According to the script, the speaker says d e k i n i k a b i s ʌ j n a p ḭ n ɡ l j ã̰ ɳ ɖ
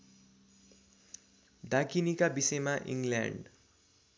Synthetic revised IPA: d a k i n i k a b i s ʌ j m a ʔ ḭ ŋ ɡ l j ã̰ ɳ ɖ